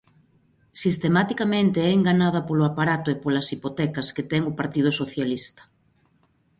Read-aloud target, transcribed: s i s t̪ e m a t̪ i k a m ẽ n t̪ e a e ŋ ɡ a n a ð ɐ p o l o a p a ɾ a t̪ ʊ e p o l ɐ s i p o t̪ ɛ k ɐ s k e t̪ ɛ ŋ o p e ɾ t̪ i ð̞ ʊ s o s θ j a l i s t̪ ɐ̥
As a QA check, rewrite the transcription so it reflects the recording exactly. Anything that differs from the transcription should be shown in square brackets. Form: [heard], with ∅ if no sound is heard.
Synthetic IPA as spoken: s i s t̪ e m a t̪ i k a m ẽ n t̪ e [ɛ] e ŋ ɡ a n a ð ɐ p o l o a p a ɾ a t̪ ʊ e p o l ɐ s i p o t̪ ɛ k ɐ s k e t̪ ɛ ŋ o p [a] ɾ t̪ i ð̞ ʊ s o [∅] θ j a l i s t̪ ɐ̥